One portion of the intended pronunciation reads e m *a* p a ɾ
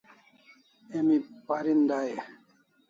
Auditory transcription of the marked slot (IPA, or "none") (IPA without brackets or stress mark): i